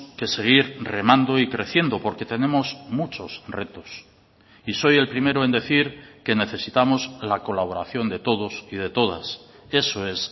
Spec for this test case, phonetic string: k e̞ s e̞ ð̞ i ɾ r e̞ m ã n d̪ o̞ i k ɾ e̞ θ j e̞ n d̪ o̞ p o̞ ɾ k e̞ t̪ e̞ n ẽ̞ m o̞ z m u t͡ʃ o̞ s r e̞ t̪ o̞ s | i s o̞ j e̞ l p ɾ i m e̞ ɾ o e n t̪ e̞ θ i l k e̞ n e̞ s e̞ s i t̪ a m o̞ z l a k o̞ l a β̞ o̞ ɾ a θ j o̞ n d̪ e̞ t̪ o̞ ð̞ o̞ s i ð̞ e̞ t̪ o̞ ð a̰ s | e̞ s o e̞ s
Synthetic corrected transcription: k e̞ s e̞ ɣ̞ i ɾ r e̞ m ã n d̪ o̞ i k ɾ e̞ θ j e̞ n d̪ o̞ p o̞ ɾ k e̞ t̪ e̞ n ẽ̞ m o̞ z m u t͡ʃ o̞ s r e̞ t̪ o̞ s | i s o̞ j e̞ l p ɾ i m e̞ ɾ o e n d̪ e̞ θ i ɾ k e̞ n e̞ θ e̞ s i t̪ a m o̞ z l a k o̞ l a β̞ o̞ ɾ a θ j o̞ n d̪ e̞ t̪ o̞ ð̞ o̞ s i ð̞ e̞ t̪ o̞ ð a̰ s | e̞ s o e̞ s